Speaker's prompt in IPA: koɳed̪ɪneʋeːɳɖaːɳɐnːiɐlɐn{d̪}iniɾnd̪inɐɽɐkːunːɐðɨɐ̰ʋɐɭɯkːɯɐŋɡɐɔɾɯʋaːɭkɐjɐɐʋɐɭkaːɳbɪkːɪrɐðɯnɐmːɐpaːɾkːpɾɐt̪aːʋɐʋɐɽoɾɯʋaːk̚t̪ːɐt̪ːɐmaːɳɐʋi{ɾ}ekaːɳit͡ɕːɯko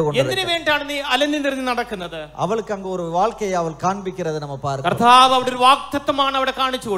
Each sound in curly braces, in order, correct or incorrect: correct, incorrect: ɽ

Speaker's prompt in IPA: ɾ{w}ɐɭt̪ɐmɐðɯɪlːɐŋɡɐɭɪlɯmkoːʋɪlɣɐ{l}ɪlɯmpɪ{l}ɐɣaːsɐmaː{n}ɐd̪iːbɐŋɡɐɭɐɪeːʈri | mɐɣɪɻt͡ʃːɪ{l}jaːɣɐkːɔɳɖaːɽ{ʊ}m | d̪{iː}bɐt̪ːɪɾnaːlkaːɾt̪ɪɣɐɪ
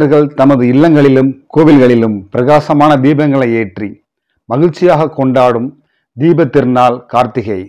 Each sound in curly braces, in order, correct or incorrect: incorrect: ɣ, incorrect: ɭ, incorrect: ɾ, correct, incorrect: none, incorrect: ɯ, correct

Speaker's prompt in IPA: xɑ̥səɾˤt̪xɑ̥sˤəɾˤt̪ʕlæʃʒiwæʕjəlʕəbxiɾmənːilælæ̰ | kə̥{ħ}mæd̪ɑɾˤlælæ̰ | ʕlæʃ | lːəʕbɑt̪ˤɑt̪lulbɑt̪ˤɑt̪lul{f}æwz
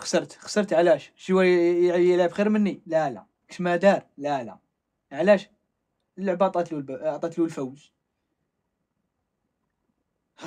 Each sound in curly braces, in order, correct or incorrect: incorrect: ʃ, correct

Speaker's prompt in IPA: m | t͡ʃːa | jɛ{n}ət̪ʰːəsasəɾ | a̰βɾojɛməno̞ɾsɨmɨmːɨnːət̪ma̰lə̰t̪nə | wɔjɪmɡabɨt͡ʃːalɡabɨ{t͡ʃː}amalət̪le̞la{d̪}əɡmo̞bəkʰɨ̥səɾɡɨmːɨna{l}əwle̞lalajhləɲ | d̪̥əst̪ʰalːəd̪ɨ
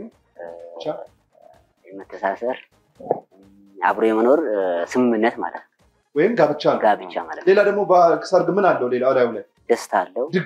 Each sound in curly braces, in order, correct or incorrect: incorrect: m, correct, correct, incorrect: lː

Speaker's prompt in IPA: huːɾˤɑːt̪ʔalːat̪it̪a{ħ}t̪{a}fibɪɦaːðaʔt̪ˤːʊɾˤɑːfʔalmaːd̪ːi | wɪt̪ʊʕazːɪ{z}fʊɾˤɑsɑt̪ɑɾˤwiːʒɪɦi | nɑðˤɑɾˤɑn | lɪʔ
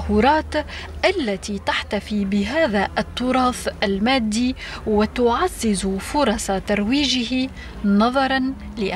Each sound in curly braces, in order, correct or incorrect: correct, correct, correct

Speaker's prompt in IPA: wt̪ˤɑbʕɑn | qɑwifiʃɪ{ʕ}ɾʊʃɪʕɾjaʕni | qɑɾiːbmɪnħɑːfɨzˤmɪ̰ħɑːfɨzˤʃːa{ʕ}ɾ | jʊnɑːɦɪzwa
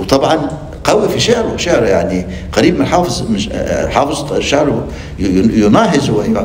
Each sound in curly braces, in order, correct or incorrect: correct, correct

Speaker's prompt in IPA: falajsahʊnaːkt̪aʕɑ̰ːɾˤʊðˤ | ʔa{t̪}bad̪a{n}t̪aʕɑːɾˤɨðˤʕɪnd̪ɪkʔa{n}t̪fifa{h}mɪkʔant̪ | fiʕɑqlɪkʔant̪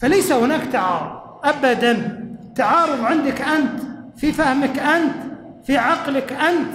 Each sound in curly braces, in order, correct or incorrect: incorrect: none, correct, correct, correct

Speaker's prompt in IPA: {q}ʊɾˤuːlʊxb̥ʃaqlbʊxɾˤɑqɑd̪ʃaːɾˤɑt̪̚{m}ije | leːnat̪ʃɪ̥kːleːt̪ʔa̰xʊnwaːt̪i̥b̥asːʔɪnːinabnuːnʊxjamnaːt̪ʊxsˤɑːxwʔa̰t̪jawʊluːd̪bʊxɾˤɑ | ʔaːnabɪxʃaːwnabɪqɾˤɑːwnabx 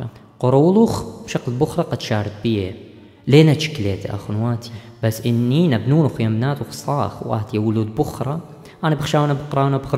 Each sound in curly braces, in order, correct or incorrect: correct, incorrect: b

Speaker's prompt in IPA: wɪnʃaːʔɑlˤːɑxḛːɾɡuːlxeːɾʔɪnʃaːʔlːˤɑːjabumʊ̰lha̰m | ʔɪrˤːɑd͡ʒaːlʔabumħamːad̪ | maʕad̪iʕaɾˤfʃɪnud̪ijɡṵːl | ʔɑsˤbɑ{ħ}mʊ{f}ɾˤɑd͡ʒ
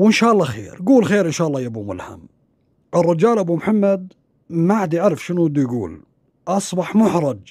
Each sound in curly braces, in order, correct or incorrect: correct, incorrect: ħ

